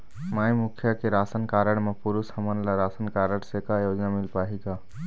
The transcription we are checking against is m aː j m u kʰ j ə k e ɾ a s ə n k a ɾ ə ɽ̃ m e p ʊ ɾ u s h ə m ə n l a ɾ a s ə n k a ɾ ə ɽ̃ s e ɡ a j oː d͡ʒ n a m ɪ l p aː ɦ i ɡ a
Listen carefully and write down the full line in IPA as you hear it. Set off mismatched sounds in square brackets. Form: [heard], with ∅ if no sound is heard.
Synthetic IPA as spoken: m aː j m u kʰ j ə k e ɾ a s ə n k a ɾ ə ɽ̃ m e p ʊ ɾ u s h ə m ə n l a ɾ a s ə n k a ɾ ə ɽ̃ s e [k] a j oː d͡ʒ n a m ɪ l p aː ɦ i ɡ a